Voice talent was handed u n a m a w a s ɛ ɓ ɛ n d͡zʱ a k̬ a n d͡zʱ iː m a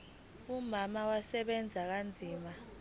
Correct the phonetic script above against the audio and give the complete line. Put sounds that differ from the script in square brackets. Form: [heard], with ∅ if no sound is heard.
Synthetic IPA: u [m] a m a w a s ɛ ɓ ɛ n d͡zʱ a k̬ a n d͡zʱ iː m a